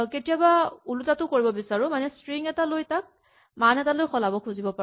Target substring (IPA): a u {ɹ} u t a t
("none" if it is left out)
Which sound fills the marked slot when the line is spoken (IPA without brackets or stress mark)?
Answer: l